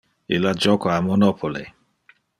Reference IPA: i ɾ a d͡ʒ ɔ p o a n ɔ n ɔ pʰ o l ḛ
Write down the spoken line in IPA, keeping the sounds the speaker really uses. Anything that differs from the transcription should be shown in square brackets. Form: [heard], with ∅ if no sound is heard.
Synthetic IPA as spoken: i [l] a d͡ʒ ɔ [k] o a [m] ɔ n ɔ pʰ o l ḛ